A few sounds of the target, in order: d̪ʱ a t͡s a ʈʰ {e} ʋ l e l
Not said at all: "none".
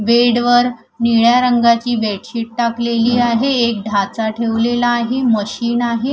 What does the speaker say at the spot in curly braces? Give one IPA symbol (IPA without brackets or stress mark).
e